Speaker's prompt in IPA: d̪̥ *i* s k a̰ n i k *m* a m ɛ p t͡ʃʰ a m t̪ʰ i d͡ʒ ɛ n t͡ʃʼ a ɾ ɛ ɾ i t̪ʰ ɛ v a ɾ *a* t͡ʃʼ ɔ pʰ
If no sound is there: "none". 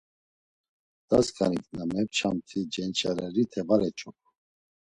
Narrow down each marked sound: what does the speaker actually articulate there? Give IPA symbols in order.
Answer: a, n, ɛ

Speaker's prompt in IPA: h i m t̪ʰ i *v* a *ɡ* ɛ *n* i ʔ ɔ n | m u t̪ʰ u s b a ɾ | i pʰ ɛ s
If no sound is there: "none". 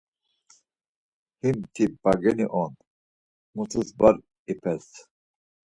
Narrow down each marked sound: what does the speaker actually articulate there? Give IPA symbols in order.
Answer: b, ɡ, n

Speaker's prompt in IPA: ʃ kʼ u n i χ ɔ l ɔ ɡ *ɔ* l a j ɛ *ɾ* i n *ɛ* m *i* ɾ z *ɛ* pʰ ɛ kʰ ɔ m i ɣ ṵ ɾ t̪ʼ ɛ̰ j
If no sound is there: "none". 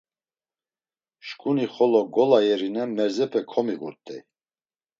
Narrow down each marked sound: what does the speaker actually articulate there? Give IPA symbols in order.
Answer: ɔ, ɾ, ɛ, ɛ, ɛ

